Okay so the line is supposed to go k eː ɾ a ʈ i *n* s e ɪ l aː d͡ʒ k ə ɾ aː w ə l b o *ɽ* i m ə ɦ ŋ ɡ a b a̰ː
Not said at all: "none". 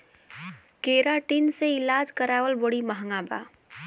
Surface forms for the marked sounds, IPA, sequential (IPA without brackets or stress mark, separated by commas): n, ɽ